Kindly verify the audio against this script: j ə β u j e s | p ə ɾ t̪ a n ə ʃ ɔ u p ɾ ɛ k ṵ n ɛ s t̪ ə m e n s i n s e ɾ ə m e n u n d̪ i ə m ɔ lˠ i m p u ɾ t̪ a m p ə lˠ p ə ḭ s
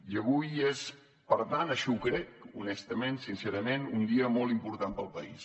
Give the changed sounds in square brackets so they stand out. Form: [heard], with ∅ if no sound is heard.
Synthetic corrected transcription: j ə β u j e s | p ə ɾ t̪ a n ə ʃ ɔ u [k] ɾ ɛ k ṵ n ɛ s t̪ ə m e n s i n s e ɾ ə m e n u n d̪ i ə m ɔ lˠ i m p u ɾ t̪ a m p ə lˠ p ə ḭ s